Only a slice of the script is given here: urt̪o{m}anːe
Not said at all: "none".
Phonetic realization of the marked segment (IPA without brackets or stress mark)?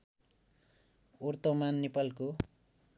m